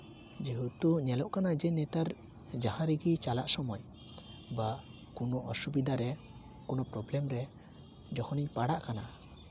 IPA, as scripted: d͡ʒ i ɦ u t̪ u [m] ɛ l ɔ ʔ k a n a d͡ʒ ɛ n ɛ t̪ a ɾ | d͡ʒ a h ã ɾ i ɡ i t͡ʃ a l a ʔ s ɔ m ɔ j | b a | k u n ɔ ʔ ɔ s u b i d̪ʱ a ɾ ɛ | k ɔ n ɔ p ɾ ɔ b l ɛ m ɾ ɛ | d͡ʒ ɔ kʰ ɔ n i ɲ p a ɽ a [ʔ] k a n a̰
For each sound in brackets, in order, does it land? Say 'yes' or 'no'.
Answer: no, yes

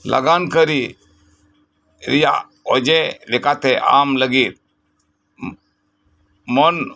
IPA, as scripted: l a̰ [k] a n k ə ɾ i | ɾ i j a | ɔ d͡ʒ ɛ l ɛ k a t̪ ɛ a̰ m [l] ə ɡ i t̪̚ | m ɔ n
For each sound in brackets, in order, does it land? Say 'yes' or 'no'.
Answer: no, yes

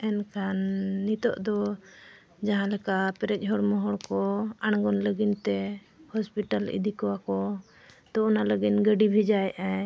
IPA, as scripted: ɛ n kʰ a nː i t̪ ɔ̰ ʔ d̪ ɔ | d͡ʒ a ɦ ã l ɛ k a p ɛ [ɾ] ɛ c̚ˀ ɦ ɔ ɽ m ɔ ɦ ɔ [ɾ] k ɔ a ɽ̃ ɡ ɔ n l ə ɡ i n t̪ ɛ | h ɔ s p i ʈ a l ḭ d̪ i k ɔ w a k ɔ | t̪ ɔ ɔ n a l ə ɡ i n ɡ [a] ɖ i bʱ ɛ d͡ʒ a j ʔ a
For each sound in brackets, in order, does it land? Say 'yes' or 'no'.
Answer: yes, no, no

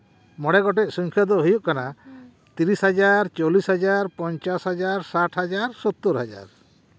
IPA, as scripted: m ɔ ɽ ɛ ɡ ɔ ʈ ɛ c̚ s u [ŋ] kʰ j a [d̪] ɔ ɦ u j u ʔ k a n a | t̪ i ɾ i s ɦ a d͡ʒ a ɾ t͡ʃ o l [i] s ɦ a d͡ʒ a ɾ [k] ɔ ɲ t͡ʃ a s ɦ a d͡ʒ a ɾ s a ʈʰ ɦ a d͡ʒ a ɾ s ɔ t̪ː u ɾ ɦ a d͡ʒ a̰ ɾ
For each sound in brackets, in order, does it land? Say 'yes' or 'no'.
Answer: yes, yes, yes, no

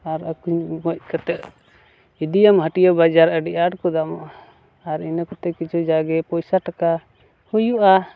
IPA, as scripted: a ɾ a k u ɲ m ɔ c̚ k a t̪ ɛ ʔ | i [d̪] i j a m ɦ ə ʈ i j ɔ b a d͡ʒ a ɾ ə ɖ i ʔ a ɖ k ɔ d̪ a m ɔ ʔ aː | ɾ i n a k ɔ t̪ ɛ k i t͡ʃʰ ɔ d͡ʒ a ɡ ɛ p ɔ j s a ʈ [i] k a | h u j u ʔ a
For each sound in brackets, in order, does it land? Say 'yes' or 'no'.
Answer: yes, no

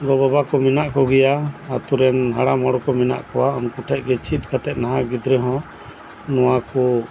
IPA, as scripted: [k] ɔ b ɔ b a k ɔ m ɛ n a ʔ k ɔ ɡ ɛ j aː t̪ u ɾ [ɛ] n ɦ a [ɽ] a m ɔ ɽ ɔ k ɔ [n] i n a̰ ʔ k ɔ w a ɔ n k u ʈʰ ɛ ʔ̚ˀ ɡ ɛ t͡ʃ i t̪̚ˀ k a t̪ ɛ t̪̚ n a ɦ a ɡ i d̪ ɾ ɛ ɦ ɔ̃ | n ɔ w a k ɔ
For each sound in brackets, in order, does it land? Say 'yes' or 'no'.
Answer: no, yes, yes, no

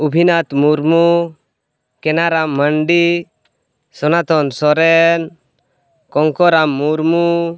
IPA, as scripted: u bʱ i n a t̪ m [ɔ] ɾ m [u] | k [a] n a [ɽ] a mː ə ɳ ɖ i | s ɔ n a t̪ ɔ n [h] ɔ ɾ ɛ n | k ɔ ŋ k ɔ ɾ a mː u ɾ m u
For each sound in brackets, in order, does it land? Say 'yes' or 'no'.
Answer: no, yes, no, no, no

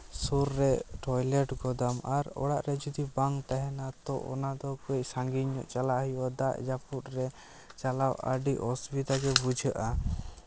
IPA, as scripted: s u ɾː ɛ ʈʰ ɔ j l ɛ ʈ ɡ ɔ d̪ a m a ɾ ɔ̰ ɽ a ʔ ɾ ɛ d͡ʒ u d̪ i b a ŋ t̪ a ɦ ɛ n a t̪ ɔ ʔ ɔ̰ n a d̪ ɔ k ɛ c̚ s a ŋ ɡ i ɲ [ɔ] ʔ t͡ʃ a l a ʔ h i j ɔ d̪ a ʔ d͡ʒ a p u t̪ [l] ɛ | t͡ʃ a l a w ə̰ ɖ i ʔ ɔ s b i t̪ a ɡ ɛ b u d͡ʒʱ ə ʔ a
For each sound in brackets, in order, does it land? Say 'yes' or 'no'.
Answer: yes, no

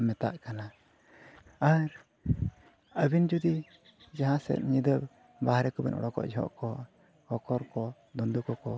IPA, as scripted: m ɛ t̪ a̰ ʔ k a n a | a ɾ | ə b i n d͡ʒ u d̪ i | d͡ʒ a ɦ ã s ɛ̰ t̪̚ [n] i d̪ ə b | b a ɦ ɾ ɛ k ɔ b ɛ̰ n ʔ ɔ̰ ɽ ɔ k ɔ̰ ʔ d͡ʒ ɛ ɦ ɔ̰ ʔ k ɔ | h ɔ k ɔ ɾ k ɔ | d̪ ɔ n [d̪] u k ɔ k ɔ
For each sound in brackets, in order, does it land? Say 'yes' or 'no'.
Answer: no, yes

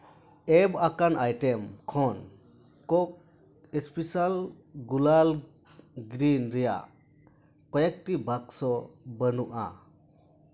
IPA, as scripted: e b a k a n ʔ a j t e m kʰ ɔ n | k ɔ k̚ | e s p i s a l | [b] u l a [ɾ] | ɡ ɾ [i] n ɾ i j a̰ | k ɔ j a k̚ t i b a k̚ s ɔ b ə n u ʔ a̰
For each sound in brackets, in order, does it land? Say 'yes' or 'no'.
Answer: no, no, yes

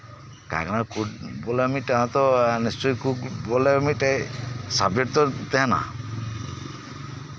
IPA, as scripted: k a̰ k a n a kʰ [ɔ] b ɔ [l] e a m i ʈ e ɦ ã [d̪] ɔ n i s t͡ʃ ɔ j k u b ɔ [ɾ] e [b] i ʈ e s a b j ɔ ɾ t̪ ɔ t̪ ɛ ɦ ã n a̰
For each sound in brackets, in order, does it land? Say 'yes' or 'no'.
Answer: no, yes, no, no, no

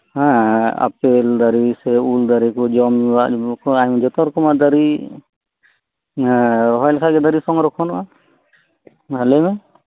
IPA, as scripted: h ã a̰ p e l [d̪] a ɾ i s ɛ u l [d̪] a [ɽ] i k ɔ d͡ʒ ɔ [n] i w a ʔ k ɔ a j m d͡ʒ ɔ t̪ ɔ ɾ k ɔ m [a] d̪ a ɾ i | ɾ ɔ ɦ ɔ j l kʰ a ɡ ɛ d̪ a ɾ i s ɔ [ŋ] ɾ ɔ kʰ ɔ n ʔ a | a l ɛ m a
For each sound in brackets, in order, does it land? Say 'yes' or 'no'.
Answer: yes, yes, no, no, yes, yes

